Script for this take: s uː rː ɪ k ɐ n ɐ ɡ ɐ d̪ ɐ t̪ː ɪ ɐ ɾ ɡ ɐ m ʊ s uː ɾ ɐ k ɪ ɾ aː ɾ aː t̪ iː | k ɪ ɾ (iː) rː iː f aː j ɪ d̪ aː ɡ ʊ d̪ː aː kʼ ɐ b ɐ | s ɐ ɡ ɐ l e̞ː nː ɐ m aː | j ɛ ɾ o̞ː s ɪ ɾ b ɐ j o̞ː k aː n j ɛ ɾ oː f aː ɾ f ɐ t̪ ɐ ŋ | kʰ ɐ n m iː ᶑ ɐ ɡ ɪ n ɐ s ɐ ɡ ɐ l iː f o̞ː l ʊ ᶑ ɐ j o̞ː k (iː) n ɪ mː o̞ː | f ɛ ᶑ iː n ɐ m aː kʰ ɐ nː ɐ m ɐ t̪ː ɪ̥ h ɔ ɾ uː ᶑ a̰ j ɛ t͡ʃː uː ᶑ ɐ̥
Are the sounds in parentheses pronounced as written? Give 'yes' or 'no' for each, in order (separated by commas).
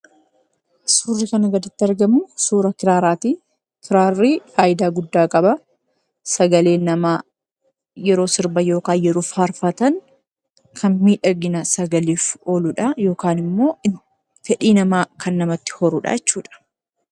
no, no